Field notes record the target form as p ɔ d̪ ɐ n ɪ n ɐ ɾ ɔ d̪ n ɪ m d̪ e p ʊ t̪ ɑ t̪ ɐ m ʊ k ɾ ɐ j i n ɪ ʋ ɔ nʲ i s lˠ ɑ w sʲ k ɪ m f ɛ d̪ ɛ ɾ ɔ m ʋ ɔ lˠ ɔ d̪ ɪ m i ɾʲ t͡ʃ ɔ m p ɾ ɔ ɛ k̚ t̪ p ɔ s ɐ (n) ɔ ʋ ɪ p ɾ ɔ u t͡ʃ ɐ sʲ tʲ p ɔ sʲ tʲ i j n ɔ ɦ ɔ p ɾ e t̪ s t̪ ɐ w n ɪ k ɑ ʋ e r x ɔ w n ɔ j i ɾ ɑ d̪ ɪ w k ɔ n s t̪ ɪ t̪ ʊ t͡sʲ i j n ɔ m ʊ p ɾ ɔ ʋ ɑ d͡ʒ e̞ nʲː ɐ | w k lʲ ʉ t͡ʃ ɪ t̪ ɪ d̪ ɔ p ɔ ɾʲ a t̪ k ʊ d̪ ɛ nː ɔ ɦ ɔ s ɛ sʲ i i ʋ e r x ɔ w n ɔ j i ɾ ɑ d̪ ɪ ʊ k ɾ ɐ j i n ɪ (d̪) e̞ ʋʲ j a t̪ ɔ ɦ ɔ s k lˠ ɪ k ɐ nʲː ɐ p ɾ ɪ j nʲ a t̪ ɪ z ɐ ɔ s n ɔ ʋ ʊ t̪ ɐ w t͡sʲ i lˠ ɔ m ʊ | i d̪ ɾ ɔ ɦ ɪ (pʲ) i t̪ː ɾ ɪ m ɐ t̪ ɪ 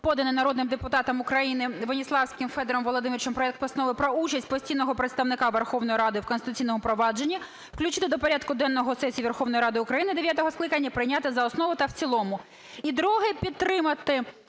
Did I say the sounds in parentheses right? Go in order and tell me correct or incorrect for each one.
correct, correct, correct

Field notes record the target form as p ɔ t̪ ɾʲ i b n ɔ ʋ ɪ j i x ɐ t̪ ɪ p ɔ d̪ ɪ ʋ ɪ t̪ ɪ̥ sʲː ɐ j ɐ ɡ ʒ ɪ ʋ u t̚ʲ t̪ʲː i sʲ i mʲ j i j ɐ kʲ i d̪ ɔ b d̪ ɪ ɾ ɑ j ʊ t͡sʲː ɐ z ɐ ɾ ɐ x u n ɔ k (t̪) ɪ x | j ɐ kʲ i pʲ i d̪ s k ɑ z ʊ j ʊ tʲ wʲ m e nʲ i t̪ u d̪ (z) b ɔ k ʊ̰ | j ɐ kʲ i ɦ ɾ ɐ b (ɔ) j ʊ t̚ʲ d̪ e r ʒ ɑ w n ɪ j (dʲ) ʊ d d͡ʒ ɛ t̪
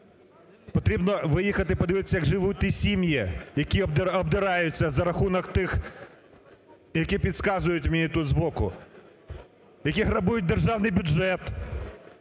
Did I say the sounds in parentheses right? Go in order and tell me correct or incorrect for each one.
correct, correct, incorrect: u, incorrect: bʲ

